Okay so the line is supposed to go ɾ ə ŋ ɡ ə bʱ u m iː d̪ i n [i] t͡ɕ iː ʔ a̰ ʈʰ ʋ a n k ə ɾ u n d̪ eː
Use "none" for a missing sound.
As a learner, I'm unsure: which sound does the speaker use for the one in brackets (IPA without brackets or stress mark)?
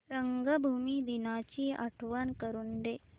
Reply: a